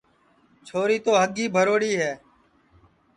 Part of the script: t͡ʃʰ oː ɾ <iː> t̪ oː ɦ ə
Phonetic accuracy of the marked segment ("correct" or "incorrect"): correct